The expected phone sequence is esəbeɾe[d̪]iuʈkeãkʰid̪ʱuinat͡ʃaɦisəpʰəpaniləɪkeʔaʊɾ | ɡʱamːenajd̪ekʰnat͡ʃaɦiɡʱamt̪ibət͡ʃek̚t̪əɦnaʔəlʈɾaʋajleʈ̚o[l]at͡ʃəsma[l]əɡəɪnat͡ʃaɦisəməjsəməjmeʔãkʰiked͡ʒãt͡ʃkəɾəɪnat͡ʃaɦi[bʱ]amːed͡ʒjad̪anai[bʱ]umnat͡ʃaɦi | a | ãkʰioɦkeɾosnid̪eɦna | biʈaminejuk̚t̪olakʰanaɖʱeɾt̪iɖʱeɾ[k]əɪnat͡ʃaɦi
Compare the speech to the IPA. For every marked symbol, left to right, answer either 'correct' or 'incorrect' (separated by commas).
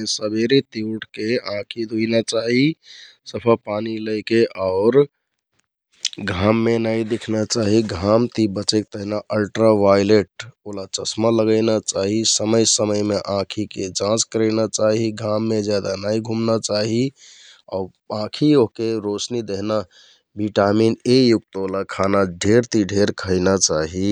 incorrect, correct, correct, incorrect, incorrect, incorrect